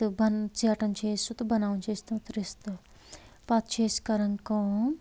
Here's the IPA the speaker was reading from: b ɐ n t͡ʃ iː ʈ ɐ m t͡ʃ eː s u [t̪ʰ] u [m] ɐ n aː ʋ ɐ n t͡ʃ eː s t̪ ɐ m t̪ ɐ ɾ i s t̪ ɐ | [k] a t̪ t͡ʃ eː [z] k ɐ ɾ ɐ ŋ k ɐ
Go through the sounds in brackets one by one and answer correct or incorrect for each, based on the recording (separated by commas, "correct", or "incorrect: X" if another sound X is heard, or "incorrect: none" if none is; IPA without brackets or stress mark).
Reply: incorrect: t̪, incorrect: b, incorrect: p, incorrect: s